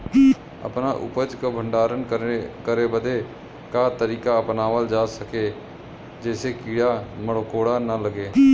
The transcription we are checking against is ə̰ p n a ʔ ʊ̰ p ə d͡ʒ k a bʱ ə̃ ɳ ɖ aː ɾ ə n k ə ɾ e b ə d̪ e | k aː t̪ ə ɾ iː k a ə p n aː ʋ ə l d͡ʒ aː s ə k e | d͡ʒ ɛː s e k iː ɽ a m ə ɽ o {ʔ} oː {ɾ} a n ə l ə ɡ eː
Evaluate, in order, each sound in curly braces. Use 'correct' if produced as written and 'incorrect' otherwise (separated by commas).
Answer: incorrect, incorrect